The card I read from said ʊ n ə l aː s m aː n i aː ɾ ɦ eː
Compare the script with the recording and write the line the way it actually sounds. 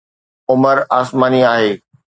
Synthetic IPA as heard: ʊ m ə ɾ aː s m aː n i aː ɦ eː